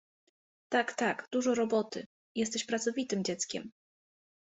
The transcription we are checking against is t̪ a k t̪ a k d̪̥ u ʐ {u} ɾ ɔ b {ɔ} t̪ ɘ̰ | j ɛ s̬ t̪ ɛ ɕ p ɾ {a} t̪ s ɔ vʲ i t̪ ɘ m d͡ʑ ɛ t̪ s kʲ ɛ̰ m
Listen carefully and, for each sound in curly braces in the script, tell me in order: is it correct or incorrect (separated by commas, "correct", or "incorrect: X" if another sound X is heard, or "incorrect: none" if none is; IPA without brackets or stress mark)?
incorrect: ɔ, correct, correct